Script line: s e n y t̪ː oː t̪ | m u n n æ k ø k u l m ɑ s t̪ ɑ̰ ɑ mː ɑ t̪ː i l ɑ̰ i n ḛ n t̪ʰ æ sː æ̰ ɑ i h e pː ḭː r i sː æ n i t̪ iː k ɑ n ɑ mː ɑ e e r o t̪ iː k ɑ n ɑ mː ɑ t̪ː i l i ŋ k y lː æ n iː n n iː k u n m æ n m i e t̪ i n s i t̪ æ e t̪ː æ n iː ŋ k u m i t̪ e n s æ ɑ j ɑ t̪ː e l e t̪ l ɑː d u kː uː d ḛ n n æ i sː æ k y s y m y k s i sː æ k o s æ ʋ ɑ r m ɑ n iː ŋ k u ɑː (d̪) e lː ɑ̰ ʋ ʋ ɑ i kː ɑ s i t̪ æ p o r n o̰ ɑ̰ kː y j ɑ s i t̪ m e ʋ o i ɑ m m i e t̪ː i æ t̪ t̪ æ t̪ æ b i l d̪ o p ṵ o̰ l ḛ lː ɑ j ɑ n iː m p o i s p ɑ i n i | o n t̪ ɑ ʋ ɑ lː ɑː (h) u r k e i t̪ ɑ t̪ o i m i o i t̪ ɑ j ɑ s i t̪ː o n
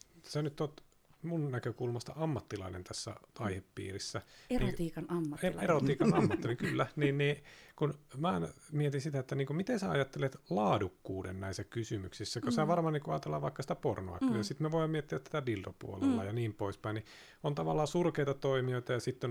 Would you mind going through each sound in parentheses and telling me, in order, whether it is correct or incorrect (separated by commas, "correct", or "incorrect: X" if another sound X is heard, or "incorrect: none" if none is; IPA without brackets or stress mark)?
incorrect: t̪, incorrect: s